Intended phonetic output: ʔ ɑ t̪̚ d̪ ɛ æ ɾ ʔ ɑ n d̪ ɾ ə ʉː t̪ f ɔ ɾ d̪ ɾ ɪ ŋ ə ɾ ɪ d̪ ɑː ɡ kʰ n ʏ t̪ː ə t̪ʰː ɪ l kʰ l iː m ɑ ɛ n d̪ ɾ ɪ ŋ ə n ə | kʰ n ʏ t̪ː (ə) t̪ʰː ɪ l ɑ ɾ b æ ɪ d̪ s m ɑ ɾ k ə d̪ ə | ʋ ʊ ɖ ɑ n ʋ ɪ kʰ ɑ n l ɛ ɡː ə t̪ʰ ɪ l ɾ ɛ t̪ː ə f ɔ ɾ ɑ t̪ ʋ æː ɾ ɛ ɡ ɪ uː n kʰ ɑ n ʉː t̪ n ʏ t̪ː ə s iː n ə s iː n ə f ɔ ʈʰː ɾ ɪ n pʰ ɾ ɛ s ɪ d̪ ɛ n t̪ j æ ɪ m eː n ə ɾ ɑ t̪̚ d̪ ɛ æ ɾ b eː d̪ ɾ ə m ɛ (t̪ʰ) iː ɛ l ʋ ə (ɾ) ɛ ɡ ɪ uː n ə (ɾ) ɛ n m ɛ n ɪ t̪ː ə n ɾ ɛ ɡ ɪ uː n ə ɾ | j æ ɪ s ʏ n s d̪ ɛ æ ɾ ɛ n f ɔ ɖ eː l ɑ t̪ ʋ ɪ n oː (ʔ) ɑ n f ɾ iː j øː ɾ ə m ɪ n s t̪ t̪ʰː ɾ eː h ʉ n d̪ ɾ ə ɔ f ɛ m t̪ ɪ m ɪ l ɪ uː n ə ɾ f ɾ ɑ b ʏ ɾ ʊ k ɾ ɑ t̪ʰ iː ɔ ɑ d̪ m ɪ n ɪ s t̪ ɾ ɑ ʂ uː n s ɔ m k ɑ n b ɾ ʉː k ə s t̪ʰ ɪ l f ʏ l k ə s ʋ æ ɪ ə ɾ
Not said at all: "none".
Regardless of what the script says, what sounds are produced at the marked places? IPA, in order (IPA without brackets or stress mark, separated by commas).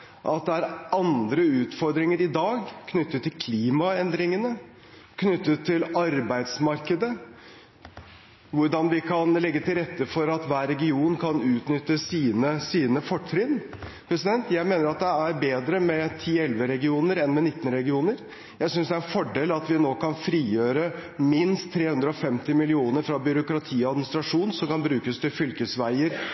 ə, t̪ʰ, ɾ, ɾ, k